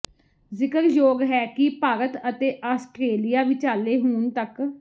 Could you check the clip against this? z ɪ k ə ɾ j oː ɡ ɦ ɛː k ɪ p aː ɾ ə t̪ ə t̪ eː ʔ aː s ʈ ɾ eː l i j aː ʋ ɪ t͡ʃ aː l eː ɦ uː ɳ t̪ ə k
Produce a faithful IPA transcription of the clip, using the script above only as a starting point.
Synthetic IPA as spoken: z ɪ k ə ɾ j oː ɡ ɦ ɛː k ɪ p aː ɾ ə t̪ ə t̪ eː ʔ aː s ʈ ɾ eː l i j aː ʋ ɪ t͡ʃ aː l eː ɦ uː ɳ t̪ ə k

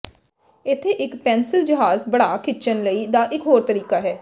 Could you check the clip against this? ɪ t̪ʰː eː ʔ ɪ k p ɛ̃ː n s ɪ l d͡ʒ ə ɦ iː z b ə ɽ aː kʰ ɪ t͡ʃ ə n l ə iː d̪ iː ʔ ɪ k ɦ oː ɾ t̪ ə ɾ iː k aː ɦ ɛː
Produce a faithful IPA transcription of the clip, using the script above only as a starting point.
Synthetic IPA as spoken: ɪ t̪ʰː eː ʔ ɪ k p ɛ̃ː n s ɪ l d͡ʒ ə ɦ aː z b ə ɽ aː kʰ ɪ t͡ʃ ə n l ə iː d̪ aː ʔ ɪ k ɦ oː ɾ t̪ ə ɾ iː k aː ɦ ɛː

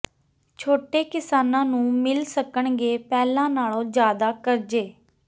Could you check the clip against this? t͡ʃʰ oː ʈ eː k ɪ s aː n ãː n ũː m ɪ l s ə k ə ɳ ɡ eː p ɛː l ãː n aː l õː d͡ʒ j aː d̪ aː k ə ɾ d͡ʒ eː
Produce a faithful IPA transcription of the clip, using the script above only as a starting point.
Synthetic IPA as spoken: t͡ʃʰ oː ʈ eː k ɪ s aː n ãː n ũː m ɪ l s ə k ə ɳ ɡ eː p ɛː l ãː n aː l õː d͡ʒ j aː d̪ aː k ə ɾ d͡ʒ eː

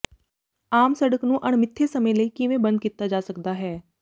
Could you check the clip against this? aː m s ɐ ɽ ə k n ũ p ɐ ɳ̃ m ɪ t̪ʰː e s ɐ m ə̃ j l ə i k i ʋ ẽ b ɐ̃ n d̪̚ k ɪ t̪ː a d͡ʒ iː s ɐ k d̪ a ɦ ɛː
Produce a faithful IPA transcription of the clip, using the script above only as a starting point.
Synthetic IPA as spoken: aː m s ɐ ɽ ə k n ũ ʔ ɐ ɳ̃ m ɪ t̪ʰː e s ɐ m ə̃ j l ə i k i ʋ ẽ b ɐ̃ n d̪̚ k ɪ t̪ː a d͡ʒ aː s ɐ k d̪ a ɦ ɛː

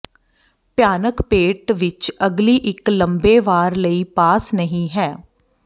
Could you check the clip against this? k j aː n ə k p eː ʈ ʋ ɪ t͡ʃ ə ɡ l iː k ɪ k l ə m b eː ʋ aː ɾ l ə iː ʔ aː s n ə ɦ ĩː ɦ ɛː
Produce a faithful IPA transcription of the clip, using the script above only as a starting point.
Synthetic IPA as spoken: p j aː n ə k p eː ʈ ʋ ɪ t͡ʃ ə ɡ l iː ʔ ɪ k l ə m b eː ʋ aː ɾ l ə iː p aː s n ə ɦ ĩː ɦ ɛː

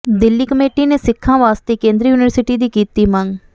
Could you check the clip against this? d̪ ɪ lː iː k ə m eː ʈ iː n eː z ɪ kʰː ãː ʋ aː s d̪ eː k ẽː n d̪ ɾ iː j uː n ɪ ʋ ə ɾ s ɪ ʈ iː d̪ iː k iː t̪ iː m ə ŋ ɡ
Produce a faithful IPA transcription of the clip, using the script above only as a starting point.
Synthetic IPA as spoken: d̪ ɪ lː iː k ə m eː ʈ iː n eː s ɪ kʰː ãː ʋ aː s t̪ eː k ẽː n d̪ ɾ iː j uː n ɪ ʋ ə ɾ s ɪ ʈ iː d̪ iː k iː t̪ iː m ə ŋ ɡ

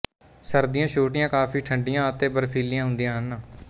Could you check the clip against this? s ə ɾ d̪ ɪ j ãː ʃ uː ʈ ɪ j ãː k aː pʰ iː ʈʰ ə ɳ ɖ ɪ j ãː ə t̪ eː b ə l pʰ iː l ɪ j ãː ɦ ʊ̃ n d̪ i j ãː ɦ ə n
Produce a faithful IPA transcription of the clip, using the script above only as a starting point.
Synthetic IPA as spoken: s ə ɾ d̪ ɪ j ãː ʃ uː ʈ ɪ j ãː k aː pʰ iː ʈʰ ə ɳ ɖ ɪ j ãː ə t̪ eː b ə ɾ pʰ iː l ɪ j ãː ɦ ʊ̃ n d̪ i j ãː ɦ ə n

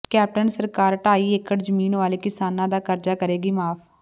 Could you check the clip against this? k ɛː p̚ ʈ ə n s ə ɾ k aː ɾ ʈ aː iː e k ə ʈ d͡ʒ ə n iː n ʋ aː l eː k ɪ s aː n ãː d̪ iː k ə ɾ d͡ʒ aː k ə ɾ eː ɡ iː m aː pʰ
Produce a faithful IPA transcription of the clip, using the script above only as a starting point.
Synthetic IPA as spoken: k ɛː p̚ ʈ ə n s ə ɾ k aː ɾ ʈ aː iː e k ə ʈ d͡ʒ ə m iː n ʋ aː l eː k ɪ s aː n ãː d̪ aː k ə ɾ d͡ʒ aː k ə ɾ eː ɡ iː m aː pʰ

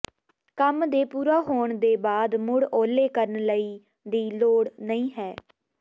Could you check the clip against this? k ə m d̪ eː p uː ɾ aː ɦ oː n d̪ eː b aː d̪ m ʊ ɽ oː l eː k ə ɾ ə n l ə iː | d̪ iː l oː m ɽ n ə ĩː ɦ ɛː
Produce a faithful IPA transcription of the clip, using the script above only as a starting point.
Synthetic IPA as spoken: k ə m d̪ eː p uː ɾ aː ɦ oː ɳ d̪ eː b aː d̪ m ʊ ɽ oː l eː k ə ɾ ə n l ə iː | d̪ iː l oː ɽ n ə ĩː ɦ ɛː

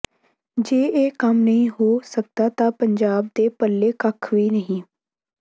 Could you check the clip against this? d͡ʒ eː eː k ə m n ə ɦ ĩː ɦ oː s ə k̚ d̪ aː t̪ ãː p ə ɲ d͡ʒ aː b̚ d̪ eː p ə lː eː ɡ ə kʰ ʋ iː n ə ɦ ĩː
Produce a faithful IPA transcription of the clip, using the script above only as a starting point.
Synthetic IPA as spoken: d͡ʒ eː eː k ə m n ə ɦ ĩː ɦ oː s ə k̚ d̪ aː t̪ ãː p ə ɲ d͡ʒ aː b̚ d̪ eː p ə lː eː k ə kʰ ʋ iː n ə ɦ ĩː

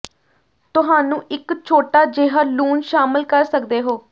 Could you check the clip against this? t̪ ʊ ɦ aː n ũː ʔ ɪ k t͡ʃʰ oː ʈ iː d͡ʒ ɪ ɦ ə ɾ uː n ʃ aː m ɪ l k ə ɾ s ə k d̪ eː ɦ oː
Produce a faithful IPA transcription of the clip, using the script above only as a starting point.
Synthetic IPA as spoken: t̪ ʊ ɦ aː n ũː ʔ ɪ k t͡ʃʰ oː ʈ aː d͡ʒ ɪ ɦ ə l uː n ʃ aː m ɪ l k ə ɾ s ə k d̪ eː ɦ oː

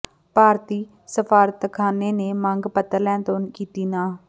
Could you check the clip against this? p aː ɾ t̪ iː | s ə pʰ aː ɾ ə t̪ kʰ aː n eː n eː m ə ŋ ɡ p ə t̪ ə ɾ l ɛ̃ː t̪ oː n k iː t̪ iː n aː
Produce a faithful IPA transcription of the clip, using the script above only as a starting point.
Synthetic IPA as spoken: p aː ɾ t̪ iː | s ə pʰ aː ɾ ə t̪ kʰ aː n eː n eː m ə ŋ ɡ p ə t̪ ə ɾ l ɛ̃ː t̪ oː n k iː t̪ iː n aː

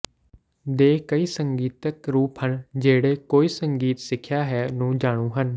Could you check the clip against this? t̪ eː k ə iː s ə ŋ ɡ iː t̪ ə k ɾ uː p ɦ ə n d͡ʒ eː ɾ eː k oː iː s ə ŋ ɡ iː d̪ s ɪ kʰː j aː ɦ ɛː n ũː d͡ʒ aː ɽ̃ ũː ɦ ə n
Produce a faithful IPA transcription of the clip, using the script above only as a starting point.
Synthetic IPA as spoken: d̪ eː k ə iː s ə ŋ ɡ iː t̪ ə k ɾ uː p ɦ ə n d͡ʒ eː ɽ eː k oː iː s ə ŋ ɡ iː t̪ s ɪ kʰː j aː ɦ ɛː n ũː d͡ʒ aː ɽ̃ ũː ɦ ə n

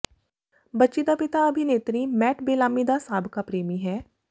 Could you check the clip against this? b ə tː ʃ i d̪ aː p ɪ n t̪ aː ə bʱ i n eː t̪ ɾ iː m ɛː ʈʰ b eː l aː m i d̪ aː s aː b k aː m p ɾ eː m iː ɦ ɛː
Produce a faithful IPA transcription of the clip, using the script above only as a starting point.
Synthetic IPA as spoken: b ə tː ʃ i d̪ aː p ɪ t̪ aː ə bʱ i n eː t̪ ɾ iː m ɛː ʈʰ b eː l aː m i d̪ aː s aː b k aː p ɾ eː m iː ɦ ɛː

